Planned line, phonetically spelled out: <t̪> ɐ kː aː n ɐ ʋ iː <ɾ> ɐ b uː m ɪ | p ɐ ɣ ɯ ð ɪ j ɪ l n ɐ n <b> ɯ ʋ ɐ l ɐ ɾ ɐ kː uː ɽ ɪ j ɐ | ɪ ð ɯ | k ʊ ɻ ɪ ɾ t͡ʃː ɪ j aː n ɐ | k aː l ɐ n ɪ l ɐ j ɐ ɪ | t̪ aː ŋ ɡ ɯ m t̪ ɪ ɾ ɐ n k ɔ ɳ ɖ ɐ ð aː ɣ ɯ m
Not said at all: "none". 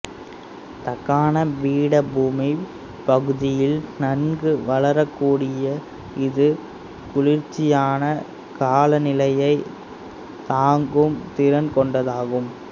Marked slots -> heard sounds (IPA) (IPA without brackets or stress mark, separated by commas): t̪, ɽ, ɡ